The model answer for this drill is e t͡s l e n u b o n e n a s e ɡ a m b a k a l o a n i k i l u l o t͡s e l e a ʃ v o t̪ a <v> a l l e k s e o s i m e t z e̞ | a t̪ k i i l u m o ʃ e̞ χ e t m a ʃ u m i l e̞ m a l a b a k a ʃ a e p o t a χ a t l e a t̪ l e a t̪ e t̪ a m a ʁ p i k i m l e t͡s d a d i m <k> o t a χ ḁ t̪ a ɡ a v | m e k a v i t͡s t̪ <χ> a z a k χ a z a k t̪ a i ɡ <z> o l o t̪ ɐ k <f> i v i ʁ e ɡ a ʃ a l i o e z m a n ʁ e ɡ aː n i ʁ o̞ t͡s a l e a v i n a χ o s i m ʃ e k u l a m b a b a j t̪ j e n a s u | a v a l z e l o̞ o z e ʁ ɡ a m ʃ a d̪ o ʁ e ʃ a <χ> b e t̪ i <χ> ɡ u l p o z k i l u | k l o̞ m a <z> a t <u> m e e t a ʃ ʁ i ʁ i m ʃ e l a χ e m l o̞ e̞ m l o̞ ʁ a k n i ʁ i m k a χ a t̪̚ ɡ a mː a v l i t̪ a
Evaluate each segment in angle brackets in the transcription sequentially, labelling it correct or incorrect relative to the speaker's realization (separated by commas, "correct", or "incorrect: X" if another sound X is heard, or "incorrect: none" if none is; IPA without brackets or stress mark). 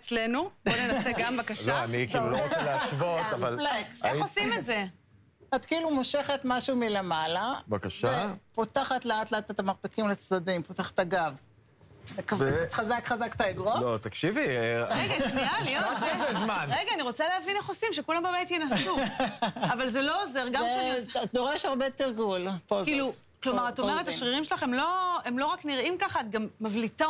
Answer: correct, incorrect: p, correct, incorrect: ʁ, incorrect: ʃ, incorrect: ʁ, incorrect: ʁ, incorrect: ʁ, incorrect: o